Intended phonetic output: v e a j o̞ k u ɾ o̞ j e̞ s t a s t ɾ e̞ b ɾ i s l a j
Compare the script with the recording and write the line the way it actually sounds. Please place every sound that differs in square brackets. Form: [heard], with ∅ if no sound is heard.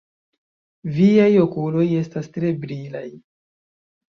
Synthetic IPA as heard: v [i] a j o̞ k u [l] o̞ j e̞ s t a s t ɾ e̞ b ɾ i [∅] l a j

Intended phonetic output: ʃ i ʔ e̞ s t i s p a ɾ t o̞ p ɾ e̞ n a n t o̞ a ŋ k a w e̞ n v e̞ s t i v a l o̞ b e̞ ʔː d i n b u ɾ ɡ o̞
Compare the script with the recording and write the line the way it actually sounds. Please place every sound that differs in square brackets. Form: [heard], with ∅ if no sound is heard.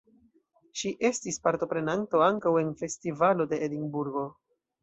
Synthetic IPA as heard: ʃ i ʔ e̞ s t i s p a ɾ t o̞ p ɾ e̞ n a n t o̞ a ŋ k a w e̞ n [f] e̞ s t i v a l o̞ [d] e̞ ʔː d i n b u ɾ ɡ o̞

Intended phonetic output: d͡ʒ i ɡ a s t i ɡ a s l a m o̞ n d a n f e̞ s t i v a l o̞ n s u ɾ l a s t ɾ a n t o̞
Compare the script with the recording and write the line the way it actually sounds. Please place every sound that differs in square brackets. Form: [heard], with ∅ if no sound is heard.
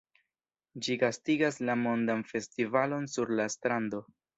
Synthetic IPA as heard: d͡ʒ i ɡ a s t i ɡ a s l a m o̞ n d a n f e̞ s t i v a l o̞ n s u ɾ l a s t ɾ a n [d] o̞

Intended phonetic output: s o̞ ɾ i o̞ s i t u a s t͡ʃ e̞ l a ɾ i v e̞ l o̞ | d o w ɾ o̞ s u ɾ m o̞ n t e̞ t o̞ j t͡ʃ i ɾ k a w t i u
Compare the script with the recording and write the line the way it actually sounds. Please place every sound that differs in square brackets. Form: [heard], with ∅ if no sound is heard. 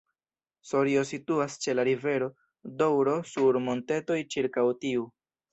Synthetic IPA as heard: s o̞ ɾ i o̞ s i t u a s t͡ʃ e̞ l a ɾ i v e̞ [ɾ] o̞ | d o w ɾ o̞ s u ɾ m o̞ n t e̞ t o̞ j t͡ʃ i ɾ k a w t i u

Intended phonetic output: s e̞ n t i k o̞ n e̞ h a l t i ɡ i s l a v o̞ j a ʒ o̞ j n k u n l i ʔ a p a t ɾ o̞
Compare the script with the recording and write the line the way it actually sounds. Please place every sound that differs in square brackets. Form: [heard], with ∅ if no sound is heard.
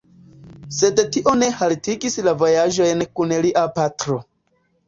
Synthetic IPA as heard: s e̞ [d] t i [ʔ] o̞ n e̞ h a l t i ɡ i s l a v o̞ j a ʒ o̞ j n k u n l i ʔ a p a t ɾ o̞

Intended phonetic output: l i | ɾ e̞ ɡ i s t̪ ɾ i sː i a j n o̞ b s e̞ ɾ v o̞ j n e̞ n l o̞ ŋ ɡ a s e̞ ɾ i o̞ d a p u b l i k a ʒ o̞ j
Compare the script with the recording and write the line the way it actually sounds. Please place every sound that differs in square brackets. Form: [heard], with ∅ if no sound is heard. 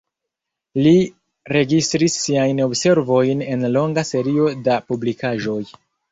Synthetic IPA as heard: l i | ɾ e̞ ɡ i s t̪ ɾ i sː i a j n o̞ b s e̞ ɾ v o̞ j n e̞ n l o̞ ŋ ɡ a s e̞ ɾ i o̞ d a p u b l i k a ʒ o̞ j

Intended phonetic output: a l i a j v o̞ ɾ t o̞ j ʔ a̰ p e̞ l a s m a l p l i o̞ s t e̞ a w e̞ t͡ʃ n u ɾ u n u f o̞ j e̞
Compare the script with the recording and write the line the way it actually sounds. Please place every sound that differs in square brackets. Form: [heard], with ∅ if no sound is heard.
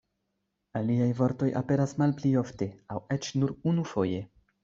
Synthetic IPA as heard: a l i a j v o̞ ɾ t o̞ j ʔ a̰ p e̞ [ɾ] a s m a l p l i o̞ [f] t e̞ a w e̞ t͡ʃ n u ɾ u n u f o̞ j e̞

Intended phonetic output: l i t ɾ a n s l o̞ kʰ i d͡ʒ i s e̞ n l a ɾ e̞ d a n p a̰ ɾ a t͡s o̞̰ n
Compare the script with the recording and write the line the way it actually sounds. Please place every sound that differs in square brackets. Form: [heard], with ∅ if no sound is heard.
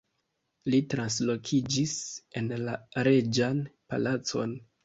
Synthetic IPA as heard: l i t ɾ a n s l o̞ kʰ i d͡ʒ i s e̞ n l a ɾ e̞ [d͡ʒ] a n p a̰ [l] a t͡s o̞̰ n

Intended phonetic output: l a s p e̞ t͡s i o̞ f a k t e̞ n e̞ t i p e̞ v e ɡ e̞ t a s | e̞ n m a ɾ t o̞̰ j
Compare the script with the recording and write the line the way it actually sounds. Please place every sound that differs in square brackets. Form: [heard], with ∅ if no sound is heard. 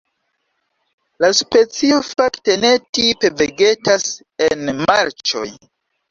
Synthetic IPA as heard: l a s p e̞ t͡s i o̞ f a k t e̞ n e̞ t i p e̞ v e ɡ e̞ t a s | e̞ n m a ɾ [t͡ʃ] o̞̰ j

